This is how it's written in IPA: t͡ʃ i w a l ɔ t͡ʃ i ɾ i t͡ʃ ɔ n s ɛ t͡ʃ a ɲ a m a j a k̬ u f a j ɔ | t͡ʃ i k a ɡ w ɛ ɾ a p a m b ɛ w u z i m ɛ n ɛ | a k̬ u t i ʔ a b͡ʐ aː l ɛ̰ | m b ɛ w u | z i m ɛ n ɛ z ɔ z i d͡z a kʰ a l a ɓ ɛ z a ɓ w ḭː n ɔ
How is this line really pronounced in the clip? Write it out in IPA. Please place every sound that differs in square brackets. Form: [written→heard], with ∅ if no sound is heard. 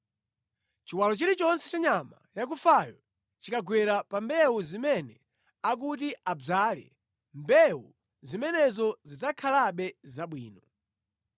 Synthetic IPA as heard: t͡ʃ i w a l ɔ t͡ʃ i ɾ i t͡ʃ ɔ n s ɛ t͡ʃ a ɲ a m a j a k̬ u f a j ɔ | t͡ʃ i k a ɡ w ɛ ɾ a p a m b ɛ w u z i m ɛ n ɛ | a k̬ u t i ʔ a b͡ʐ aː l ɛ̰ | m b ɛ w u | z i m ɛ n ɛ z ɔ z i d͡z a kʰ a l a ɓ ɛ z a ɓ w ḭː n ɔ